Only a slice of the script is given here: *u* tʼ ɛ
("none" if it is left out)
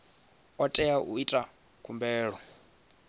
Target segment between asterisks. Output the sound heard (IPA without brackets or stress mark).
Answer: ɔ